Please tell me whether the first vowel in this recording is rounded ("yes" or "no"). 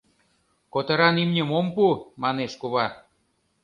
yes